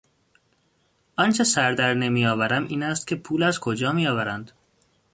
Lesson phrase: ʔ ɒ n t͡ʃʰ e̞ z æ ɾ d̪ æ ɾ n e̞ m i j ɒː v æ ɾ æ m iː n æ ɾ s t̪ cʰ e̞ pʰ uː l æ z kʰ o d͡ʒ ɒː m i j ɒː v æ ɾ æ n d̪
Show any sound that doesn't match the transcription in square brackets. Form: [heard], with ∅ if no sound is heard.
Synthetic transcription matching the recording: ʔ ɒ n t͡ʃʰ e̞ [s] æ ɾ d̪ æ ɾ n e̞ m i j ɒː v æ ɾ æ m iː n æ [∅] s t̪ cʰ e̞ pʰ uː l æ z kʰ o d͡ʒ ɒː m i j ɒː v æ ɾ æ n d̪